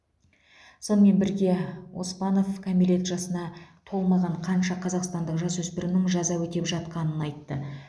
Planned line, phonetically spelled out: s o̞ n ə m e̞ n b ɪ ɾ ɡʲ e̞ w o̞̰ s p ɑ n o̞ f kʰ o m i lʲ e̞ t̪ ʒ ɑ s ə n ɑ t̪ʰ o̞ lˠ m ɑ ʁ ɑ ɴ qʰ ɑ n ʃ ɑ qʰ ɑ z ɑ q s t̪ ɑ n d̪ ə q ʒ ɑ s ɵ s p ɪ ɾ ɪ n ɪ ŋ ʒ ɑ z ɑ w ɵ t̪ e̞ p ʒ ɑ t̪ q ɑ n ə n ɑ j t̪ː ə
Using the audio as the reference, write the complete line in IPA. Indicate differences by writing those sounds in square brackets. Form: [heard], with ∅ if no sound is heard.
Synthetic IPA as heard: s o̞ n ə m e̞ n b ɪ ɾ ɡʲ e̞ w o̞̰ s p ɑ n o̞ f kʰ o m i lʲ e̞ t̪ ʒ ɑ s ə n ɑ t̪ʰ o̞ lˠ m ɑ ʁ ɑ ɴ qʰ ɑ n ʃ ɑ qʰ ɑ z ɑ q s t̪ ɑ n d̪ ə q ʒ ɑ s ɵ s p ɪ ɾ ɪ n ɪ ŋ ʒ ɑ z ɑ w ɵ t̪ e̞ p ʒ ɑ t̪ q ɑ n ə n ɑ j t̪ː ə